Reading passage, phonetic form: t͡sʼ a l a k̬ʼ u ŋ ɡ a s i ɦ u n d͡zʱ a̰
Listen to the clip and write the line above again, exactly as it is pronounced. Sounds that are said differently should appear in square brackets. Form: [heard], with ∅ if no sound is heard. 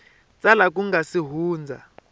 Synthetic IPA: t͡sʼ a l a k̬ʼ u ŋ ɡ a s i ɦ [uː] n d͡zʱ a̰